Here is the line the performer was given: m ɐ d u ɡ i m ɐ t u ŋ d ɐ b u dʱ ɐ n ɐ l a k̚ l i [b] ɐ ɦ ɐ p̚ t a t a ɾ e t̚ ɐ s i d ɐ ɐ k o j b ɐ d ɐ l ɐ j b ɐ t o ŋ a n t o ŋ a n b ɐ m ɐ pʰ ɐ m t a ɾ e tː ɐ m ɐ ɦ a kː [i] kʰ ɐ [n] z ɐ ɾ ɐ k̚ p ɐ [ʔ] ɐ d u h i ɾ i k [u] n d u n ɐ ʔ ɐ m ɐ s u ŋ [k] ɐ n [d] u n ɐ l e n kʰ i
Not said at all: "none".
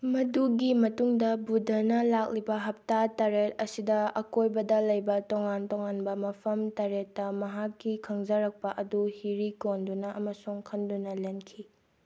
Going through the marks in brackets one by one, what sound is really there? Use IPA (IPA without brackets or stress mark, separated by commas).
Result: b, i, ŋ, ʔ, o, kʰ, d